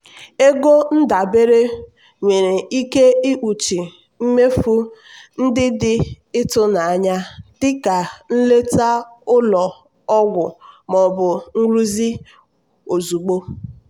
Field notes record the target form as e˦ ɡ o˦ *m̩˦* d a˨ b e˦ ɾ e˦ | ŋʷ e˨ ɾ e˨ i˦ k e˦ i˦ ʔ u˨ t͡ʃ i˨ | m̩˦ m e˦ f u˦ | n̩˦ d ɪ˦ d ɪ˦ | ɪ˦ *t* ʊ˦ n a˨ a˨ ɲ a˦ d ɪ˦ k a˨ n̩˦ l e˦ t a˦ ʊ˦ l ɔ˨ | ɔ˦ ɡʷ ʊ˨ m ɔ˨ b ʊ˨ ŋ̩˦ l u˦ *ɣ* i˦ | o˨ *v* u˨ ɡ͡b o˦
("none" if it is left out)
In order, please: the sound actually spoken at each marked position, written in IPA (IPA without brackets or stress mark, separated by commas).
n̩˦, t, z, z